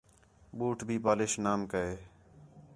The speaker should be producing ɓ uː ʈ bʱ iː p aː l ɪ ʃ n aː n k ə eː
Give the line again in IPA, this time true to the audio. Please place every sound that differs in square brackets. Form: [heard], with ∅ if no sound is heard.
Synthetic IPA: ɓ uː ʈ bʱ iː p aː l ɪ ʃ n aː [m] k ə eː